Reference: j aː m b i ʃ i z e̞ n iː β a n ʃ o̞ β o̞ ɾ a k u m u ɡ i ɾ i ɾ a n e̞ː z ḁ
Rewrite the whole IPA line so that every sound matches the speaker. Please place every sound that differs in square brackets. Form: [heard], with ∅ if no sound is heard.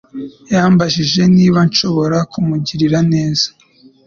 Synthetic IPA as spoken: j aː m b [a] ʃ i [ʒ] e̞ n iː β a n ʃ o̞ β o̞ ɾ a k u m u [ɟ] i ɾ i ɾ a n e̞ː z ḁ